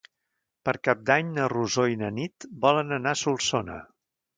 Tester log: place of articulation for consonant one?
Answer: labial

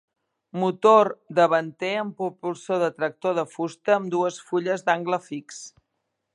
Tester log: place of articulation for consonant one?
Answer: labial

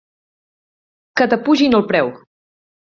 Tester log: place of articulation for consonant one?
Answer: velar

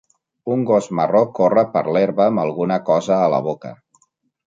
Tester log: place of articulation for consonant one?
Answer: velar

